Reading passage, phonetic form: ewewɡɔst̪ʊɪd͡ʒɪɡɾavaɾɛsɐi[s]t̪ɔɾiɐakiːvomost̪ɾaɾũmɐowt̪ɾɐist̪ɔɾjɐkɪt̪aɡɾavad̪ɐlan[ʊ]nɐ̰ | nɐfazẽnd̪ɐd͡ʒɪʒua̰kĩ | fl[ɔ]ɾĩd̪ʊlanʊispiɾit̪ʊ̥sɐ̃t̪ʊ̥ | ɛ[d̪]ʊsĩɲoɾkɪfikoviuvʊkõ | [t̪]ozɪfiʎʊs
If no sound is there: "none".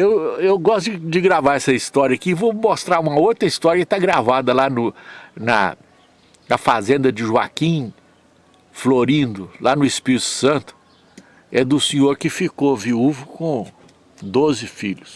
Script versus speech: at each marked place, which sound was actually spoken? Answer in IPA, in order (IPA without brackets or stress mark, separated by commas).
s, ʊ, o, d̪, d̪